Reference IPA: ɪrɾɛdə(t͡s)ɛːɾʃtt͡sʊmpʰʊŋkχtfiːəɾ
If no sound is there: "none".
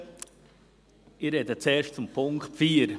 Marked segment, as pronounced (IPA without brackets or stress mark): t͡s